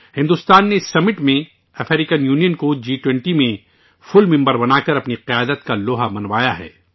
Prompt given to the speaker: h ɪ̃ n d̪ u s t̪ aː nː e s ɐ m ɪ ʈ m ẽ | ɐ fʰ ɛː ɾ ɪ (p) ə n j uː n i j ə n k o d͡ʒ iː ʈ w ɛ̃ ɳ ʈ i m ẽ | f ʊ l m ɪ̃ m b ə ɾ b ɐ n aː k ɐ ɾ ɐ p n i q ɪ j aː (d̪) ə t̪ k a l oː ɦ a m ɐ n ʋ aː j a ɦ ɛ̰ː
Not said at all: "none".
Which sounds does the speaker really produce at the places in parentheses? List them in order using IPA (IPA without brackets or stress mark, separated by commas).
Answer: k, d̪